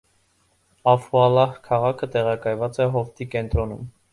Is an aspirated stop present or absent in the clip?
present